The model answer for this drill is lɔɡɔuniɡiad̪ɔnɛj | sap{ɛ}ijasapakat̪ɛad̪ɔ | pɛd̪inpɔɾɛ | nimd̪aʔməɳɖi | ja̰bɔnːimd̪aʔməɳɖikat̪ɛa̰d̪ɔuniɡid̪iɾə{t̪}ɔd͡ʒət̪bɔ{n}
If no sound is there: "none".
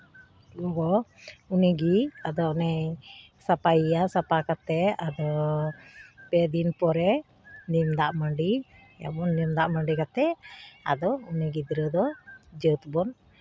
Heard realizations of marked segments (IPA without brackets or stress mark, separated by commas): a, d̪, n